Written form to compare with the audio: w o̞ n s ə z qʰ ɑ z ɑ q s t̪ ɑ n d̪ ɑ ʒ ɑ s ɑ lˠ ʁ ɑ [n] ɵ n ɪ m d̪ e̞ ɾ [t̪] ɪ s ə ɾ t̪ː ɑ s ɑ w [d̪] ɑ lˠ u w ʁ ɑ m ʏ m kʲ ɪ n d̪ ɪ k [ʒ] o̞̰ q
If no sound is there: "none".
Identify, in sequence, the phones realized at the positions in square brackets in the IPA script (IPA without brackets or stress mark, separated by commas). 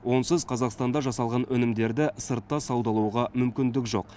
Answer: n, d̪, d̪, ʒ